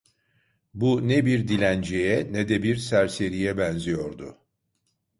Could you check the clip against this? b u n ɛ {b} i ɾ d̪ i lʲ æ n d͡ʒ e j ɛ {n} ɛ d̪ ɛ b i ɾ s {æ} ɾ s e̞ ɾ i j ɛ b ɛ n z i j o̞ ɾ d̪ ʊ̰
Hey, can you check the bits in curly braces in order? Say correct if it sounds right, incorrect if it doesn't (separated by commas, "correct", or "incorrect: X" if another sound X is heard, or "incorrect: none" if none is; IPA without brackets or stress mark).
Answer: correct, correct, correct